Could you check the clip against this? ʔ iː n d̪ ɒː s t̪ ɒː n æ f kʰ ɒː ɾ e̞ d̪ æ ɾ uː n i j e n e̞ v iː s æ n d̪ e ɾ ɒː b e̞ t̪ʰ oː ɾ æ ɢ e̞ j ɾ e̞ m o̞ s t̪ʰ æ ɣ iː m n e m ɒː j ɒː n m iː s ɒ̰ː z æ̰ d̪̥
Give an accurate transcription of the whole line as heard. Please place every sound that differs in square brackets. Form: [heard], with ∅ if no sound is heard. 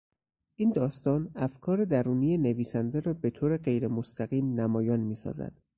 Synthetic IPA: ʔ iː n d̪ ɒː s t̪ ɒː n æ f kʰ ɒː ɾ e̞ d̪ æ ɾ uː n i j e n e̞ v iː s æ n d̪ e ɾ ɒː b e̞ t̪ʰ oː ɾ [e] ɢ e̞ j ɾ e̞ m o̞ s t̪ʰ æ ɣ iː m n [æ] m ɒː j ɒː n m iː s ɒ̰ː z æ̰ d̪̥